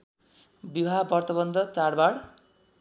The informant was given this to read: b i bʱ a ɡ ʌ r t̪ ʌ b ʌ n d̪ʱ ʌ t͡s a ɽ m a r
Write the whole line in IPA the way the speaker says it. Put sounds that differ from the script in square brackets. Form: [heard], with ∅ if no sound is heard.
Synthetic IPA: b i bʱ a [b] ʌ r t̪ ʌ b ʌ n d̪ʱ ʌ t͡s a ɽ [b] a [ɽ]